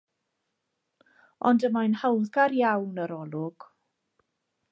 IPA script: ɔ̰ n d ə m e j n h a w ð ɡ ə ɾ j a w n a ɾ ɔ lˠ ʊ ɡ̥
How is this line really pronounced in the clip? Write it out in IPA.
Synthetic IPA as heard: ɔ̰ n d ə m a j n h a w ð ɡ a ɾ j a w n ə ɾ ɔ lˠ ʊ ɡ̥